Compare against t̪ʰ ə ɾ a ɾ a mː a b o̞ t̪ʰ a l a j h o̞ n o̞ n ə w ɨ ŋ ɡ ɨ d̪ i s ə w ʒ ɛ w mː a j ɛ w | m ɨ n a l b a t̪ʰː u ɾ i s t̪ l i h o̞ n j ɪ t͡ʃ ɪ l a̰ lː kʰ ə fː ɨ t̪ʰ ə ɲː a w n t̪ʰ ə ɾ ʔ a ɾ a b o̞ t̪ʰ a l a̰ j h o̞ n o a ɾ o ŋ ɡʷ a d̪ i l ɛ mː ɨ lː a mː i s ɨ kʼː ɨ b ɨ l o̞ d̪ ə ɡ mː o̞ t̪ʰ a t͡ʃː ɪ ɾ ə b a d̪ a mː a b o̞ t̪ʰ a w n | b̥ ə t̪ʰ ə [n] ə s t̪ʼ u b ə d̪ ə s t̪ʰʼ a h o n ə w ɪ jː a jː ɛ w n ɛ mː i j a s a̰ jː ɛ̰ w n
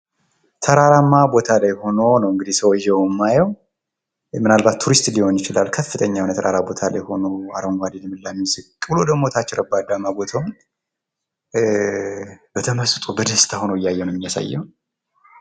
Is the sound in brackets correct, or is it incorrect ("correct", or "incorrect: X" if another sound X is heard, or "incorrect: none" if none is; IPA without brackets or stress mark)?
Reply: incorrect: m